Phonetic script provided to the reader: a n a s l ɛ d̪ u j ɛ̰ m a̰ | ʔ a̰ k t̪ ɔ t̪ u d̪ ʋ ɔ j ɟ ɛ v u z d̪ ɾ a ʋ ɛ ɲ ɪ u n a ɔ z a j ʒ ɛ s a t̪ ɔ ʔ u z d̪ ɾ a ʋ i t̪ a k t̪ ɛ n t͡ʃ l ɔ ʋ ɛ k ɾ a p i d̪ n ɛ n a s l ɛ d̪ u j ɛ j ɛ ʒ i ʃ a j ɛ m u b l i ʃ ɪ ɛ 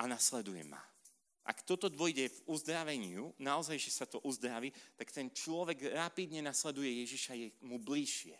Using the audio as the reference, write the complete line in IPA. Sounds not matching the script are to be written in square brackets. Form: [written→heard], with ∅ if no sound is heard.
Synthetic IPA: a n a s l ɛ d̪ u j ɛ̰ m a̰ | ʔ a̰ k t̪ ɔ t̪ [u→ɔ] d̪ ʋ ɔ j ɟ ɛ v u z d̪ ɾ a ʋ ɛ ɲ ɪ u n a ɔ z a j ʒ ɛ s a t̪ ɔ ʔ u z d̪ ɾ a ʋ i t̪ a k t̪ ɛ n t͡ʃ l ɔ ʋ ɛ [k→ɡ] ɾ a p i d̪ [n→ɲ] ɛ n a s l ɛ d̪ u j ɛ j ɛ ʒ i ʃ a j ɛ m u b l i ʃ ɪ ɛ